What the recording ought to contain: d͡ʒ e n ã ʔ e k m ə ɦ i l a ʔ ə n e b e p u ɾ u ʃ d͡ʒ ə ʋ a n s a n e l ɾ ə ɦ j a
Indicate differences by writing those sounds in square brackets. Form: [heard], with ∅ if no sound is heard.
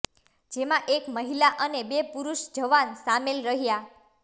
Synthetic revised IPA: d͡ʒ e [m] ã ʔ e k m ə ɦ i l a ʔ ə n e b e p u ɾ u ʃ d͡ʒ ə ʋ a n s a [m] e l ɾ ə ɦ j a